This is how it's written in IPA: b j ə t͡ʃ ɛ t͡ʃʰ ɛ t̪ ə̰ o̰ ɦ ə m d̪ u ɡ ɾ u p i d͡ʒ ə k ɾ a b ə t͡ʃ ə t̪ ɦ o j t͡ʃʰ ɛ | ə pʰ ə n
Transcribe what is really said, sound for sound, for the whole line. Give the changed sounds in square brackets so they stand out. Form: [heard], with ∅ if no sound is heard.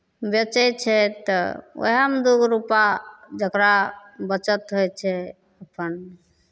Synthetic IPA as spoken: b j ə t͡ʃ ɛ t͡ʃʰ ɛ t̪ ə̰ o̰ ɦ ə m d̪ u ɡ ɾ u p [a] d͡ʒ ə k ɾ a b ə t͡ʃ ə t̪ ɦ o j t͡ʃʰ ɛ | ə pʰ ə n